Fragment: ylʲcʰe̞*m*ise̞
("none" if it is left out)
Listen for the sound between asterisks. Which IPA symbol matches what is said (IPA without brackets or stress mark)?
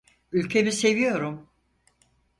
m